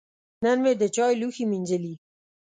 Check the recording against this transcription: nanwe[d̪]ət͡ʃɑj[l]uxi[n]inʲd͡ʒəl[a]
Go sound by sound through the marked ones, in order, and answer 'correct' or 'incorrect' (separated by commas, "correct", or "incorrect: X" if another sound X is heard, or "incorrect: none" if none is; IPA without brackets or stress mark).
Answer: correct, correct, incorrect: m, incorrect: i